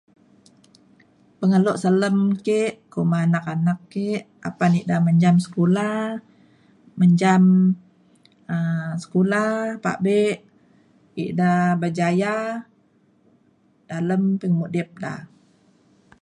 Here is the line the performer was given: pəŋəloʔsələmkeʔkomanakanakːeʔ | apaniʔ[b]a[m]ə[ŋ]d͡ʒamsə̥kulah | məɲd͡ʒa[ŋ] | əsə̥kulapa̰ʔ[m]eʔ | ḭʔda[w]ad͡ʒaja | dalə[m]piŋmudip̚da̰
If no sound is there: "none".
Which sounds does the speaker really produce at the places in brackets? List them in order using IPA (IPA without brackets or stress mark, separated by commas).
d, m, ɲ, m, b, b, m